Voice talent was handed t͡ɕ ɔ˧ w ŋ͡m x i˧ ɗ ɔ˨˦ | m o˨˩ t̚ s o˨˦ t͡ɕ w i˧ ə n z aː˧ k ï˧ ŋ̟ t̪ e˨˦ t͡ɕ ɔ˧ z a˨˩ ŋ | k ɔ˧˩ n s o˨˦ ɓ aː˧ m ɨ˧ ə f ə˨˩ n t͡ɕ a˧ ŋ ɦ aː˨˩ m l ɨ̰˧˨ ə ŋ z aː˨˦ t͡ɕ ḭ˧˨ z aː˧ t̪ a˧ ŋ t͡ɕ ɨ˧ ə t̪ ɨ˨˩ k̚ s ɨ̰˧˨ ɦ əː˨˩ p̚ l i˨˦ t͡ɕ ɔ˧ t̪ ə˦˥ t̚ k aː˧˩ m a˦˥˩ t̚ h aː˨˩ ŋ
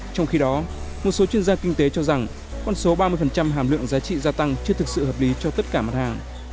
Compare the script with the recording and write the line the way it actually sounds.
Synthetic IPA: t͡ɕ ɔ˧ w ŋ͡m x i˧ ɗ ɔ˨˦ | m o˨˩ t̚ s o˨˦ t͡ɕ w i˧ ə n z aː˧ k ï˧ ŋ̟ t̪ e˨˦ t͡ɕ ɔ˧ z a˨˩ ŋ | k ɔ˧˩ n s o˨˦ ɓ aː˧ m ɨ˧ ə f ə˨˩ n t͡ɕ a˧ m ɦ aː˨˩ m l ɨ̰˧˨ ə ŋ z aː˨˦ t͡ɕ ḭ˧˨ z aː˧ t̪ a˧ ŋ t͡ɕ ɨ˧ ə t̪ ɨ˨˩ k̚ s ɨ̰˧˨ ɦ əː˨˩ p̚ l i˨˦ t͡ɕ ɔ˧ t̪ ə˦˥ t̚ k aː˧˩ m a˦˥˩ t̚ h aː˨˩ ŋ